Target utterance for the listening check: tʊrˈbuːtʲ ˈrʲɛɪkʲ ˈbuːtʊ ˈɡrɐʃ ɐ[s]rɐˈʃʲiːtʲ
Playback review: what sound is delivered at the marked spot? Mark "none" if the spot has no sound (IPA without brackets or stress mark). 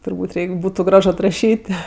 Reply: t